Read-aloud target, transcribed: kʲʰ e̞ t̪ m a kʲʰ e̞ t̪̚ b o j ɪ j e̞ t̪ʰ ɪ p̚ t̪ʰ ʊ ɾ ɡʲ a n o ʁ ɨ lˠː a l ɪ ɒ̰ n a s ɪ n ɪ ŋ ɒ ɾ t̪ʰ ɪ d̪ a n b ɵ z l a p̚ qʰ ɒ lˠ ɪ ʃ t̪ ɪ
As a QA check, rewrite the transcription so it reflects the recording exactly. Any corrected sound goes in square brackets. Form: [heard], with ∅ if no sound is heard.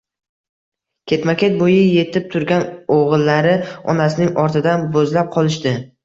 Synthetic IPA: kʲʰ e̞ t̪ m a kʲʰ e̞ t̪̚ b o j ɪ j e̞ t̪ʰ ɪ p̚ t̪ʰ ʊ ɾ ɡʲ a n o ʁ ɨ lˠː a [ɾ] ɪ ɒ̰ n a s ɪ n ɪ ŋ ɒ ɾ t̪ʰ ɪ d̪ a n b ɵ z l a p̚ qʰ ɒ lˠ ɪ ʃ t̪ ɪ